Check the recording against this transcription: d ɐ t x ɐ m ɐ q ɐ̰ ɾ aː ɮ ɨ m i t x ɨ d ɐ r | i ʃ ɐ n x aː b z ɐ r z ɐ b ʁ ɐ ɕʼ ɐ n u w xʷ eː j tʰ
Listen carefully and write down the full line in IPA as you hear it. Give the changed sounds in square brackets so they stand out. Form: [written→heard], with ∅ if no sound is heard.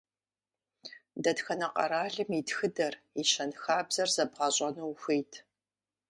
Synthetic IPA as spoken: d ɐ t x ɐ [m→n] ɐ q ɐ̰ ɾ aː ɮ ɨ m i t x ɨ d ɐ r | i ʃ ɐ n x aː b z ɐ r z ɐ b ʁ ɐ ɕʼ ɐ n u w xʷ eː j tʰ